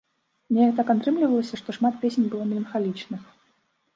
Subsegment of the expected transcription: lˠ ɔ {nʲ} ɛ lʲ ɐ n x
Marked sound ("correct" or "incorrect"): incorrect